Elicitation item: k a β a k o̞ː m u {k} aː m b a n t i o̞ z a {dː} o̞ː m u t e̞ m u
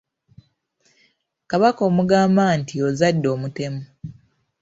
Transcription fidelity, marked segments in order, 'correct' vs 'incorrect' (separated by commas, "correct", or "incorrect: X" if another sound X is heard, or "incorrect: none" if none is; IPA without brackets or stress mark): incorrect: ɡ, correct